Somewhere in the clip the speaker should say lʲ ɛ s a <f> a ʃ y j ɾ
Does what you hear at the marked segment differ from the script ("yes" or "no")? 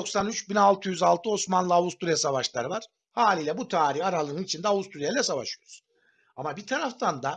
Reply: yes